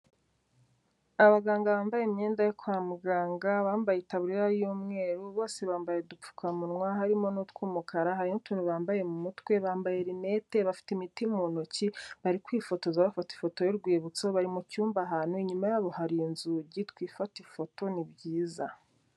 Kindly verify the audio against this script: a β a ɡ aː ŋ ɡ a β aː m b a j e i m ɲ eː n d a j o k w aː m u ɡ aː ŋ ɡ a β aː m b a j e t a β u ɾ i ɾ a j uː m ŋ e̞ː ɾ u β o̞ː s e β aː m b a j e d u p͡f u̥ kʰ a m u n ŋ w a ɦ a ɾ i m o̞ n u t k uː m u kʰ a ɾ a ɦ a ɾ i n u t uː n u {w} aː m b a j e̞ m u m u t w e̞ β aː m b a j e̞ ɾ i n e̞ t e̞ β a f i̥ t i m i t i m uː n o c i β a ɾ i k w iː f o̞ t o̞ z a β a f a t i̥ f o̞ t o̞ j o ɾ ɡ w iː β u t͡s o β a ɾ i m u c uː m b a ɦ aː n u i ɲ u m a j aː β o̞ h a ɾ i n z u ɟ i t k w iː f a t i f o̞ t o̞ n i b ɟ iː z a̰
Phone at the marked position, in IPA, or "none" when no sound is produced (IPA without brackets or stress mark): β